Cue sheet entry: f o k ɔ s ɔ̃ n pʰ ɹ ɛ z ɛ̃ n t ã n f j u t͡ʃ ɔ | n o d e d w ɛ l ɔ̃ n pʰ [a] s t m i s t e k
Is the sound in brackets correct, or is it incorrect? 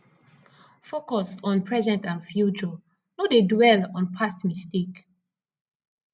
correct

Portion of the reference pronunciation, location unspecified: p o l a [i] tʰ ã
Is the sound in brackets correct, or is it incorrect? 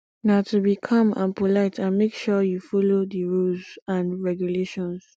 incorrect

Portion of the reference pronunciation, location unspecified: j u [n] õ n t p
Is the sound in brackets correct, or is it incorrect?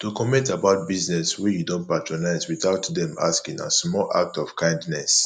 incorrect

